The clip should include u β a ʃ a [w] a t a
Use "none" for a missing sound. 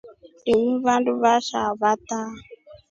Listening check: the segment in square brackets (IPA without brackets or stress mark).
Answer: β